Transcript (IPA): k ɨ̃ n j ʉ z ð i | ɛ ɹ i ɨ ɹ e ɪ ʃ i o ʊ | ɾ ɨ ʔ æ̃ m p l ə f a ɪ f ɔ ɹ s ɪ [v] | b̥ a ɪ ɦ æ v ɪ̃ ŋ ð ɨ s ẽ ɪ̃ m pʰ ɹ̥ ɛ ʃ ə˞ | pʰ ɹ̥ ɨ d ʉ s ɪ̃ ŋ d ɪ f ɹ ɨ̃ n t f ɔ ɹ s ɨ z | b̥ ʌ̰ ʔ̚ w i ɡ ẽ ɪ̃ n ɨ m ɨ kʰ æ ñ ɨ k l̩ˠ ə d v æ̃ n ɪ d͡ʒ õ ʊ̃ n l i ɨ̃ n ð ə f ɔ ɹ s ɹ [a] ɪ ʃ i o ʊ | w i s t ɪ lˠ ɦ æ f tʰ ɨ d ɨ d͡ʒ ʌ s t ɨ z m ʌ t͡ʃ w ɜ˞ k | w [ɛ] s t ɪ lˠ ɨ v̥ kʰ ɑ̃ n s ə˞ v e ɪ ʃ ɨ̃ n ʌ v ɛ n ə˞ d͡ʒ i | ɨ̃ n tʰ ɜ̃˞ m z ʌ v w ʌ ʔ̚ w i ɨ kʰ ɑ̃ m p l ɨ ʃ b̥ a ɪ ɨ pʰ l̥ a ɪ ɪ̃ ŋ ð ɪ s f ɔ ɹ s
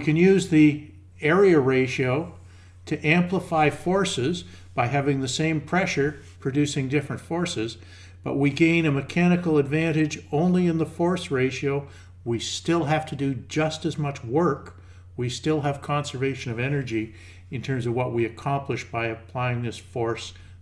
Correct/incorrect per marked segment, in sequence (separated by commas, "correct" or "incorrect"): incorrect, incorrect, incorrect